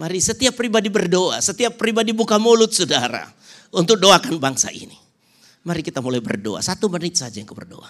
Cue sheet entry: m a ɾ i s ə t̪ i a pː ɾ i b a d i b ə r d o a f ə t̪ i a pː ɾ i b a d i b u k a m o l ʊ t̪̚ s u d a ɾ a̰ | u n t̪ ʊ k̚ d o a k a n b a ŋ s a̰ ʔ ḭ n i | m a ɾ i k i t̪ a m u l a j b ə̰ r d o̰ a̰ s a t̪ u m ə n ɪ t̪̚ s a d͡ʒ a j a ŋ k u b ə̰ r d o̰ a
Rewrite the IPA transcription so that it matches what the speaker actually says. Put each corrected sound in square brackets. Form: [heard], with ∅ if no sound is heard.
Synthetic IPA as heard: m a ɾ i s ə t̪ i a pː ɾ i b a d i b ə r d o a [s] ə t̪ i a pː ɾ i b a d i b u k a m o l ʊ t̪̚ s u d a ɾ a̰ | u n t̪ ʊ k̚ d o a k a n b a ŋ s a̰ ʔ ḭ n i | m a ɾ i k i t̪ a m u l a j b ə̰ r d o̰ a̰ s a t̪ u m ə n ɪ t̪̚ s a d͡ʒ a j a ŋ k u b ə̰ r d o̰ a